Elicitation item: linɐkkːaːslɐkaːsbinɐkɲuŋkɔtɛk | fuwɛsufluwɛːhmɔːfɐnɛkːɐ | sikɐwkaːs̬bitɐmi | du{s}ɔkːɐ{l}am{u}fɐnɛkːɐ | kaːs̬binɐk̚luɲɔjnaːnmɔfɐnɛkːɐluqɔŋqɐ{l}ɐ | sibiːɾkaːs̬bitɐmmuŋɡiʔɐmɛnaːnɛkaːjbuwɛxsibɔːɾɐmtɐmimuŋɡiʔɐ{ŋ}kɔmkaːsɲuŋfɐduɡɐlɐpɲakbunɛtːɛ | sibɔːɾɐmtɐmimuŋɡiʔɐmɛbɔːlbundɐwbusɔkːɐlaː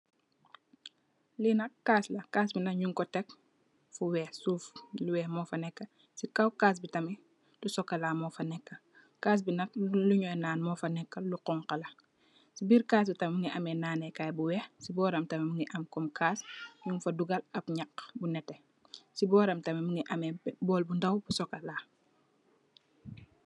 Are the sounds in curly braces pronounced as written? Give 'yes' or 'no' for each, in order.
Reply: yes, yes, no, yes, no

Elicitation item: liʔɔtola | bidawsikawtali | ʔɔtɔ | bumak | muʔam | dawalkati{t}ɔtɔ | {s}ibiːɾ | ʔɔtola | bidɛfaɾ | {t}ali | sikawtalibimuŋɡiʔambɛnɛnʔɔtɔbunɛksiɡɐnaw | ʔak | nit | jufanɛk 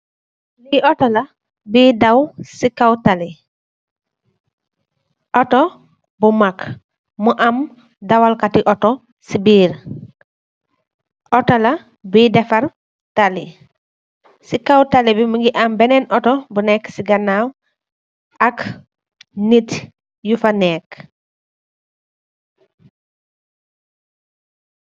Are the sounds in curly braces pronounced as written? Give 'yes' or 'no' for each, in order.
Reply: no, yes, yes

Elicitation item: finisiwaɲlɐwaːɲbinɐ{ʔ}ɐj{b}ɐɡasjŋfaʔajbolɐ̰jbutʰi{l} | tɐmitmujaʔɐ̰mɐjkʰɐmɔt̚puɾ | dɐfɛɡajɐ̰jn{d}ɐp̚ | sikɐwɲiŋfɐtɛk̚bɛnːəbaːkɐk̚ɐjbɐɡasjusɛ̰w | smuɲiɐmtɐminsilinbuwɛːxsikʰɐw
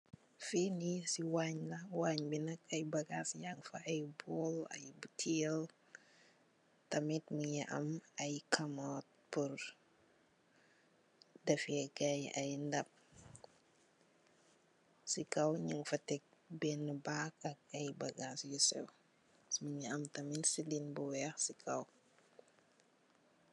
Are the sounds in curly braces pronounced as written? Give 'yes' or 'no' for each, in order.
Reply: no, yes, yes, yes

